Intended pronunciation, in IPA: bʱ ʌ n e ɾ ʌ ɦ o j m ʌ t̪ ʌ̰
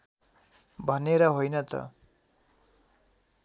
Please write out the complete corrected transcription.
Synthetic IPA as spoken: bʱ ʌ n e ɾ ʌ ɦ o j n ʌ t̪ ʌ̰